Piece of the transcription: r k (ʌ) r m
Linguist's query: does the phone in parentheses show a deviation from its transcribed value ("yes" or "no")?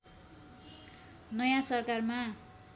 yes